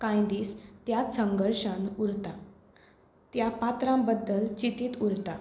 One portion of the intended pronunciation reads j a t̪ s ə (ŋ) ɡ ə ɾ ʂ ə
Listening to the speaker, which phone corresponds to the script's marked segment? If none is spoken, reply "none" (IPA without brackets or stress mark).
ŋ